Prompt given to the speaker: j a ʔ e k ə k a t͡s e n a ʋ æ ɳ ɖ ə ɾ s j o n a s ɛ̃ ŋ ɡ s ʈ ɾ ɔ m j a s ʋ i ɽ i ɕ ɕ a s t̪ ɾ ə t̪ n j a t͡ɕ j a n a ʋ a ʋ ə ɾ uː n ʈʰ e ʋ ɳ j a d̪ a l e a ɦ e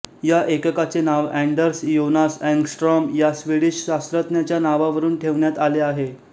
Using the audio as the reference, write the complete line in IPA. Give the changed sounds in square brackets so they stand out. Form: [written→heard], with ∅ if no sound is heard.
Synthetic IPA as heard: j a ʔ e k ə k a t͡s e n a ʋ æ ɳ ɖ ə ɾ s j o n a s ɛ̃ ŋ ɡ s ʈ ɾ ɔ m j a s ʋ i ɽ i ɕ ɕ a s t̪ ɾ ə t̪ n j a t͡ɕ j a n a ʋ a ʋ ə ɾ uː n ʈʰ e ʋ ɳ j a [d̪→t̪] a l e a ɦ e